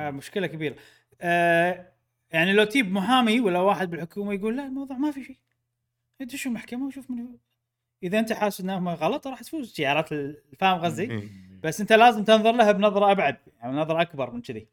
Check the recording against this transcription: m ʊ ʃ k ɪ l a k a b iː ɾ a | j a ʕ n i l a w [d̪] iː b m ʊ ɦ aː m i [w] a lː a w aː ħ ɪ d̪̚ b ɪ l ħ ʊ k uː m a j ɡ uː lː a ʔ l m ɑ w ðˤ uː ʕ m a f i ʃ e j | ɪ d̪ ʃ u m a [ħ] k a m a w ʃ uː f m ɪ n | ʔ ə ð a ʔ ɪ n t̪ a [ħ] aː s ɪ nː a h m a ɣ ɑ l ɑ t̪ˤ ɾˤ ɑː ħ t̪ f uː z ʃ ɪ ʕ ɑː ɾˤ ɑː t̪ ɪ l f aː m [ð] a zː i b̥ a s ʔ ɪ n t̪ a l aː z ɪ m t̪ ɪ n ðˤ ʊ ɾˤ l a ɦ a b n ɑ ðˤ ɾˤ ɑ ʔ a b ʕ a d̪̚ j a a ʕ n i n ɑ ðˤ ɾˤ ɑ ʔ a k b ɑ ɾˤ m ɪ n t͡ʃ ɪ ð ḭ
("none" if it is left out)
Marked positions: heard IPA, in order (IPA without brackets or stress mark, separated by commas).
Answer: t̪, w, ħ, ħ, ɣ